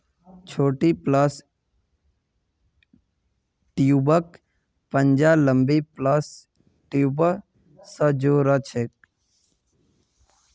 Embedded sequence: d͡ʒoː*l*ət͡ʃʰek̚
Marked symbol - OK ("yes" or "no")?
no